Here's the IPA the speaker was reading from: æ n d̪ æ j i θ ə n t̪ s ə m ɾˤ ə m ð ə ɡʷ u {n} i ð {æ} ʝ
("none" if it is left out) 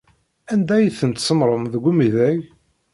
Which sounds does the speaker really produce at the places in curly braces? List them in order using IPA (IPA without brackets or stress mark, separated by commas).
m, æ